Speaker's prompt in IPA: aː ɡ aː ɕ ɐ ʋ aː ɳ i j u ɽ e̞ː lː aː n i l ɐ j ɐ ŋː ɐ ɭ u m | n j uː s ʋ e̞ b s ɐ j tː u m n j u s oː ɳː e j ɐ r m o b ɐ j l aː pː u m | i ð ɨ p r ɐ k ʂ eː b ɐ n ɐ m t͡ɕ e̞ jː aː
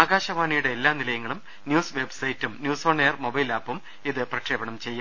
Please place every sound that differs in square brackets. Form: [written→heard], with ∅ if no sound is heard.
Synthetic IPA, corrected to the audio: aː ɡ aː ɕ ɐ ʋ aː ɳ i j u ɽ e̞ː lː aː n i l ɐ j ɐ ŋː ɐ ɭ u m | n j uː s ʋ e̞ b s ɐ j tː u m n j [u→uː] s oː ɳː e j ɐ r m o b ɐ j l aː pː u m | i ð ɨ p r ɐ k ʂ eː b ɐ [n→ɳ] ɐ m t͡ɕ e̞ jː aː